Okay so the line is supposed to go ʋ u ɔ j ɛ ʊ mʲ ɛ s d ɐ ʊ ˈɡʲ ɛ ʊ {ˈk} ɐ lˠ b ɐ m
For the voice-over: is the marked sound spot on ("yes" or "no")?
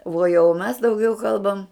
yes